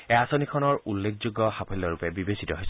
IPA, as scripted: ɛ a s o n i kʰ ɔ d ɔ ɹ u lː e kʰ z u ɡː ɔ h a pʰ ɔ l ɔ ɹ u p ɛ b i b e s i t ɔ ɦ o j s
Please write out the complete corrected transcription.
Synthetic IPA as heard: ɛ a s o n i kʰ ɔ n ɔ ɹ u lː e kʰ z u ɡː ɔ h a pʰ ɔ l ɔ ɹ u p ɛ b i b e s i t ɔ ɦ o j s